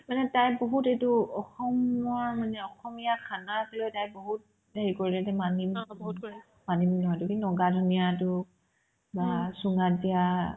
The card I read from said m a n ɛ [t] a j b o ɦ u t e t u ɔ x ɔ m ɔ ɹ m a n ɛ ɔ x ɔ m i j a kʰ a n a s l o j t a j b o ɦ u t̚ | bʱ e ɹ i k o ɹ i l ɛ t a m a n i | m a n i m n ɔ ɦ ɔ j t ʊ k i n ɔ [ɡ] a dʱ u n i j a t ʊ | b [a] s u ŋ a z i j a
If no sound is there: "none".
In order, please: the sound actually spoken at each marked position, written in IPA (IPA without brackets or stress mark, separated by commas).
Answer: t, ɡ, a